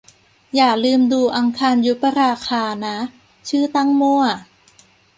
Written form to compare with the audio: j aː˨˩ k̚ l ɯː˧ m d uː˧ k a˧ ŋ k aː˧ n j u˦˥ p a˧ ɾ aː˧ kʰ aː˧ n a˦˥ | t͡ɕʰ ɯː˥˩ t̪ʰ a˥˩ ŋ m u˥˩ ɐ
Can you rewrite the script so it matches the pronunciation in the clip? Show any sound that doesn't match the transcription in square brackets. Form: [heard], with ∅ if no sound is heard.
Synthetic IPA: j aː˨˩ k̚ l ɯː˧ m d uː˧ [ʔ] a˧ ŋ [kʰ] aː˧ n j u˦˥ p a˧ ɾ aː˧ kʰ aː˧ n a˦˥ | t͡ɕʰ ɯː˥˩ [t̪] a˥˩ ŋ m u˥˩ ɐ